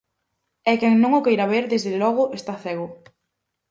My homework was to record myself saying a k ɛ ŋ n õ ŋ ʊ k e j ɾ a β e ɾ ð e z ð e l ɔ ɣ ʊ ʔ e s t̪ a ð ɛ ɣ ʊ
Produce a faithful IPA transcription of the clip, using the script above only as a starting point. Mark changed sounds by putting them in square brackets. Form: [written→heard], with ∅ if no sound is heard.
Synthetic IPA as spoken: [a→ɛ] k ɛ ŋ n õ ŋ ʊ k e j ɾ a β e ɾ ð e z ð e l ɔ ɣ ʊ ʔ e s t̪ a [ð→θ] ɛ ɣ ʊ